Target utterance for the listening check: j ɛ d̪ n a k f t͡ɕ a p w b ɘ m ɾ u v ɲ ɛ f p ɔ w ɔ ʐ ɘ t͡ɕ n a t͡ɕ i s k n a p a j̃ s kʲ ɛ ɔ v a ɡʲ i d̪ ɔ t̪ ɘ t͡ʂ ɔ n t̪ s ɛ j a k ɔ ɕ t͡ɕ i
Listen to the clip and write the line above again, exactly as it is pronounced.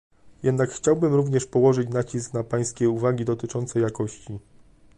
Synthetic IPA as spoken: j ɛ d̪ n a k x t͡ɕ a w b ɘ m ɾ u v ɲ ɛ ʂ p ɔ w ɔ ʐ ɘ t͡ɕ n a t͡ɕ i s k n a p a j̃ s kʲ ɛ u v a ɡʲ i d̪ ɔ t̪ ɘ t͡ʂ ɔ n t̪ s ɛ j a k ɔ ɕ t͡ɕ i